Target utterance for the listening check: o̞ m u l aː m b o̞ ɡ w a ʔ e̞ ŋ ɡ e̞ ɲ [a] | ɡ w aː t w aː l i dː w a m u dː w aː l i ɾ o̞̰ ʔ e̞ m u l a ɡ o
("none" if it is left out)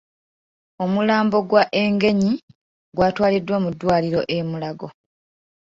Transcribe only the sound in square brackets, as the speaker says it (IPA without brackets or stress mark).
i